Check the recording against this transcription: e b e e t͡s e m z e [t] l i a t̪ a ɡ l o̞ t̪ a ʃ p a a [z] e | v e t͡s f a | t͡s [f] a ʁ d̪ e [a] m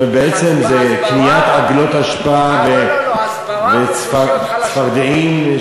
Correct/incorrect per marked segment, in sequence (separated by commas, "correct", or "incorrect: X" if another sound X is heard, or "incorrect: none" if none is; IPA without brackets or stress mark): incorrect: k, incorrect: v, correct, incorrect: i